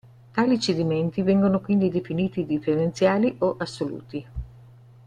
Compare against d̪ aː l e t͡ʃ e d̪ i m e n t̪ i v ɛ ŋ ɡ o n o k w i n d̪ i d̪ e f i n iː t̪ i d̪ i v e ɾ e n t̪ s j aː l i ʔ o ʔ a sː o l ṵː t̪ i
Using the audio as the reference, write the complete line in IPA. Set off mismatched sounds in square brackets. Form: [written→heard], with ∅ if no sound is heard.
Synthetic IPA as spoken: [d̪→t̪] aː l [e→i] t͡ʃ e d̪ i m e n t̪ i v ɛ ŋ ɡ o n o k w i n d̪ i d̪ e f i n iː t̪ i d̪ i [v→f] e ɾ e n t̪ s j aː l i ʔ o ʔ a sː o l ṵː t̪ i